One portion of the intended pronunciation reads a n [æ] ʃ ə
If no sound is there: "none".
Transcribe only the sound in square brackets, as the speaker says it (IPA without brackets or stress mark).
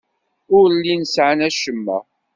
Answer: æ